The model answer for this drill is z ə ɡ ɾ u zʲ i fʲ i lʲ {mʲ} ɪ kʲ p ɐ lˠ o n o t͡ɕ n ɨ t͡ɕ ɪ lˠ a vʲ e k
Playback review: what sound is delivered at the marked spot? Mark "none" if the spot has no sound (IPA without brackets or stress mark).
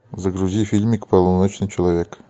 mʲ